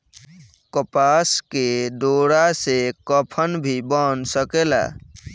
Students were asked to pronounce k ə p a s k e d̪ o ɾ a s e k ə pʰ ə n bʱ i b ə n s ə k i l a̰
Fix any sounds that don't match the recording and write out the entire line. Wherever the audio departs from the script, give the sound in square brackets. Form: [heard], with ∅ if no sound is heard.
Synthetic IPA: k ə p a s k e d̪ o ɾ a s e k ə pʰ ə n bʱ i b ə n s ə k [e] l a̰